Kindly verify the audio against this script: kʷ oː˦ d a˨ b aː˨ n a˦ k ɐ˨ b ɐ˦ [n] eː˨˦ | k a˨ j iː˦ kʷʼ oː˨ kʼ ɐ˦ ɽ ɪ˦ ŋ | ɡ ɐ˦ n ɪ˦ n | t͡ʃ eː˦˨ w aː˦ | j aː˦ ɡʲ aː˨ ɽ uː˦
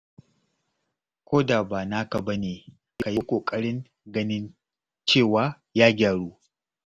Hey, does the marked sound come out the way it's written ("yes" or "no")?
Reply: yes